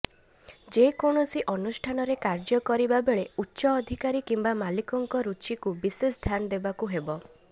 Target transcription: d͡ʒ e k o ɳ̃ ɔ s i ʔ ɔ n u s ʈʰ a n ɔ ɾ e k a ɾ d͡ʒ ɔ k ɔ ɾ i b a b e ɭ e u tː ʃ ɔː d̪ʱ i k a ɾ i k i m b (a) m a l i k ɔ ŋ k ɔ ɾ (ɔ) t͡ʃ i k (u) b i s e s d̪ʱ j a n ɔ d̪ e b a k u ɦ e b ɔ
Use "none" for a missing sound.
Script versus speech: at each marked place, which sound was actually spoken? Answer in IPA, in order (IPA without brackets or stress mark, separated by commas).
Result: a, u, u